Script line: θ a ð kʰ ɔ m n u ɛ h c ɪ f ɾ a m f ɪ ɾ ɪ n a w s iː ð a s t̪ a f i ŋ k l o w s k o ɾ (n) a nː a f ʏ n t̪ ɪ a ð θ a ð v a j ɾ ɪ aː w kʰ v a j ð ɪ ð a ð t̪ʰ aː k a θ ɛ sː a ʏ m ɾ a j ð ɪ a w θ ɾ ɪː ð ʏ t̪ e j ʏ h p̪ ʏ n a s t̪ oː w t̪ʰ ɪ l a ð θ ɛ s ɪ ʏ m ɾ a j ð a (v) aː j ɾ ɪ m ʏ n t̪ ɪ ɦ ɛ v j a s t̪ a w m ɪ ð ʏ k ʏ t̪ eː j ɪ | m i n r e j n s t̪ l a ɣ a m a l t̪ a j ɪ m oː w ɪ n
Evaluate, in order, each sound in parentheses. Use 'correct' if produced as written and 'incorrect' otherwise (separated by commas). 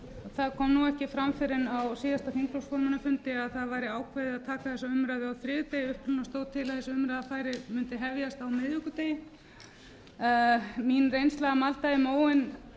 incorrect, incorrect